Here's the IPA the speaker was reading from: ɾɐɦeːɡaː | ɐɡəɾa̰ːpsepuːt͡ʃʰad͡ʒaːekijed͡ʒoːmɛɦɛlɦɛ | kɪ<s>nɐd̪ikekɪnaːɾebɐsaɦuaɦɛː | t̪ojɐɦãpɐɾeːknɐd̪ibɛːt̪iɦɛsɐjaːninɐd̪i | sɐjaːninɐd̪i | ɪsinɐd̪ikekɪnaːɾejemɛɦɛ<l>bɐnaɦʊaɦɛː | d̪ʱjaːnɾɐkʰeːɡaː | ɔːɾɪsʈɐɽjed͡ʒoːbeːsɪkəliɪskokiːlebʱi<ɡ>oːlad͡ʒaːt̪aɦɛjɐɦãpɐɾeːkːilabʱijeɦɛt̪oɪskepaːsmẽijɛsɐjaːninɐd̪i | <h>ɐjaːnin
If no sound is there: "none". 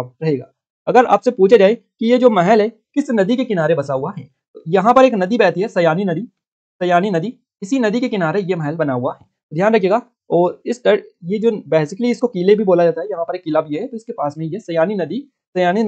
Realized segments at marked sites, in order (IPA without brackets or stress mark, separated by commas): s, l, b, s